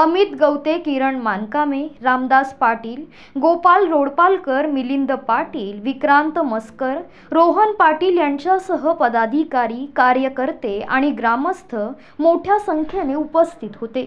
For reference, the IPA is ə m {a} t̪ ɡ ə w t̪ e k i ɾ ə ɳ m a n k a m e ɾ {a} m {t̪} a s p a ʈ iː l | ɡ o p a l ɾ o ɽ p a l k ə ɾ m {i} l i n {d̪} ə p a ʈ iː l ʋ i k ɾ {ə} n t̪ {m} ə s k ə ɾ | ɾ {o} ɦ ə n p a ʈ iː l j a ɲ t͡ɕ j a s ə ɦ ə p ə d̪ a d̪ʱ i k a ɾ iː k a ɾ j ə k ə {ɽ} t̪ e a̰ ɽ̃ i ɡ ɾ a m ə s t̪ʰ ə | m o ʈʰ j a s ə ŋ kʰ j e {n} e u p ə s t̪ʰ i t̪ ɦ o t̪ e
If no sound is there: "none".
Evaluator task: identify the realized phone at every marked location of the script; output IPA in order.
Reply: i, a, d̪, i, d̪, a, m, o, ɾ, n

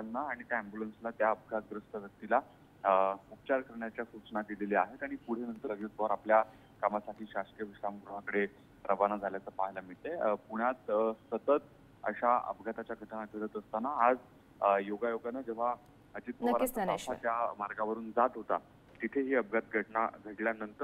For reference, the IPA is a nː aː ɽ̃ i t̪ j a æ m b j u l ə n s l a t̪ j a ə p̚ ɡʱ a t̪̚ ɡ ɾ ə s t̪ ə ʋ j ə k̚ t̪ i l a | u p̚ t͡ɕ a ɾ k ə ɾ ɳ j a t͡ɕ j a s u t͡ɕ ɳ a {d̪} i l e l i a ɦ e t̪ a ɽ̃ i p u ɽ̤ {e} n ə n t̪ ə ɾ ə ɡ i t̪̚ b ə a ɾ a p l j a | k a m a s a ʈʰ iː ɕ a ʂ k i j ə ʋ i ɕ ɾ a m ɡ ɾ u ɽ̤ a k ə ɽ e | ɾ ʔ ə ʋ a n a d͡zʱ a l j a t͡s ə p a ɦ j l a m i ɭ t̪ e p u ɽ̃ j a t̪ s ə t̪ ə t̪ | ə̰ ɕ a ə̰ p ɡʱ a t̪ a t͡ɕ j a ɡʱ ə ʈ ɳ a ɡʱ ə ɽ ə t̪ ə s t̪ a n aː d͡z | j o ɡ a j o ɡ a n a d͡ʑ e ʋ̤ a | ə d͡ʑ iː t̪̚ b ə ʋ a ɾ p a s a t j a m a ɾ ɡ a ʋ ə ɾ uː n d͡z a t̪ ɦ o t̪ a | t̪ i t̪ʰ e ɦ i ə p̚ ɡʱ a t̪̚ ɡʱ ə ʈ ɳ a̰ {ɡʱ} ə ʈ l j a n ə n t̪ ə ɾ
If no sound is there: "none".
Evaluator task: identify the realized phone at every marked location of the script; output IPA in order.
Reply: d̪, e, ɡʱ

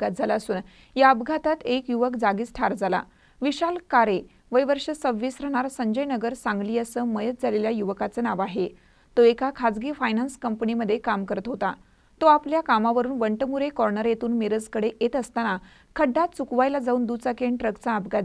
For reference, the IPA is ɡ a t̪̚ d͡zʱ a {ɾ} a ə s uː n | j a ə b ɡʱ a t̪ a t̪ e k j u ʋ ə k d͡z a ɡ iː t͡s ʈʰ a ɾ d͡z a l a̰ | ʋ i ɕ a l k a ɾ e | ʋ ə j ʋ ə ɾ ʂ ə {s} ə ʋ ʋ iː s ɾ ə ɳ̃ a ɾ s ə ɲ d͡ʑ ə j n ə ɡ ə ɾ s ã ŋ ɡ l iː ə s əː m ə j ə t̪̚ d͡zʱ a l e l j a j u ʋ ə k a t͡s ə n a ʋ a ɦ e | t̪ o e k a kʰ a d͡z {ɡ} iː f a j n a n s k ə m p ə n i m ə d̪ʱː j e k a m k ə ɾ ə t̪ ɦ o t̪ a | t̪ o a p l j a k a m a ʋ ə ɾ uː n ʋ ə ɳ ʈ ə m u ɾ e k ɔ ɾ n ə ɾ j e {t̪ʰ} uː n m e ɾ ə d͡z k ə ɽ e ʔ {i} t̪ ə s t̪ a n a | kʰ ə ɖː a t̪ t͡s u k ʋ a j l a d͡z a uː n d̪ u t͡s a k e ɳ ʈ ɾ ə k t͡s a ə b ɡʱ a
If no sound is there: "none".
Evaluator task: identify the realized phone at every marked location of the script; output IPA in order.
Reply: l, s, ɡ, t̪, e

